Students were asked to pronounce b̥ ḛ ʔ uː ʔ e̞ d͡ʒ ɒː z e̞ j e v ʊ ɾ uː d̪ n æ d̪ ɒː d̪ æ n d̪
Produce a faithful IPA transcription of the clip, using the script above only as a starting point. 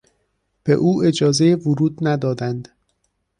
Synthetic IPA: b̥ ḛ ʔ uː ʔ e̞ d͡ʒ ɒː z e̞ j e v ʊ ɾ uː d̪ n æ d̪ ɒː d̪ æ n d̪